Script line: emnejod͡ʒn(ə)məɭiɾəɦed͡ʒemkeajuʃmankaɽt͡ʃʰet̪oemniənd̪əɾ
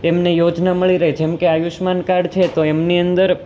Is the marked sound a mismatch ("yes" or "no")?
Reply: yes